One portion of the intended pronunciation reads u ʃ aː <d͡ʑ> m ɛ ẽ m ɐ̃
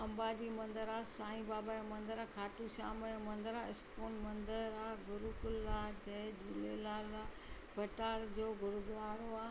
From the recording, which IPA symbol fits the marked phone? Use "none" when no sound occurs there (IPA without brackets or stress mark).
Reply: none